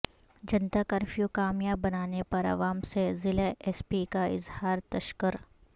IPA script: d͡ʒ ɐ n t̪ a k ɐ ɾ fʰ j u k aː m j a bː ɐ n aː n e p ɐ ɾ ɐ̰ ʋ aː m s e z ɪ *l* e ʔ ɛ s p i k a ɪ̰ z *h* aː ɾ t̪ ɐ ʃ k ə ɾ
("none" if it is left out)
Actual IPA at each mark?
l, h

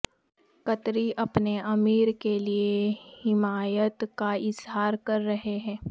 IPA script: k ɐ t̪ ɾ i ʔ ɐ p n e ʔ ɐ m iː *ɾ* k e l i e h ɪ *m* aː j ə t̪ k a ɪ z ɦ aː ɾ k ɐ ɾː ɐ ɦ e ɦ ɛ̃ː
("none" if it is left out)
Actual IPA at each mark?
ɾ, m

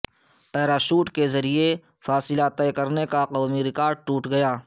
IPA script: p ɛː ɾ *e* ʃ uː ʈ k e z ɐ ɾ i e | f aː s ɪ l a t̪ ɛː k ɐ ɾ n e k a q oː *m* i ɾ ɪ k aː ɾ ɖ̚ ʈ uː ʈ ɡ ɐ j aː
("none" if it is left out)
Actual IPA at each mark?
a, m

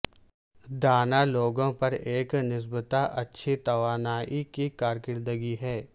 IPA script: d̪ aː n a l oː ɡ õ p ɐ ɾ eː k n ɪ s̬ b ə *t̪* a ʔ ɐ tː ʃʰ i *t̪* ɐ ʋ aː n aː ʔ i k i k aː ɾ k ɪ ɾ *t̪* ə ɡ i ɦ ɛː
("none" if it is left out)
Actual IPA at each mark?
t̪, t̪, d̪

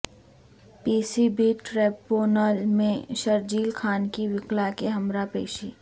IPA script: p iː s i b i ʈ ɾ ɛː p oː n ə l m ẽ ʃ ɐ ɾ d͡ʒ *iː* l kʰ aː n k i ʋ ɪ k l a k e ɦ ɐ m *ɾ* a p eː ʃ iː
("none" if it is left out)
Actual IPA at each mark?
iː, ɾ

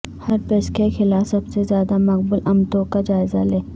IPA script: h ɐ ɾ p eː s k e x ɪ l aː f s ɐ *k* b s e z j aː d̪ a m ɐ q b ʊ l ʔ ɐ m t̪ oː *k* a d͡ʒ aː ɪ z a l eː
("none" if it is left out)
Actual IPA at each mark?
none, k

